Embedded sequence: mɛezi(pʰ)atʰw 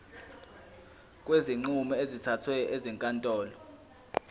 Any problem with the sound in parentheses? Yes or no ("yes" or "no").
yes